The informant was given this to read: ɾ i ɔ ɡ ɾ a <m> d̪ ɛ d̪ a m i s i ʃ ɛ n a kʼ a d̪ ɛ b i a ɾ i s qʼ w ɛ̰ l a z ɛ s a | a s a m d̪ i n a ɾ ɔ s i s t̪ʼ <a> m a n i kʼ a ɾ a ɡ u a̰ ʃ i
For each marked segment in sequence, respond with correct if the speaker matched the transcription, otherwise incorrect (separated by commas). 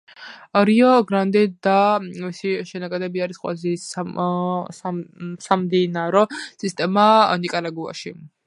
incorrect, incorrect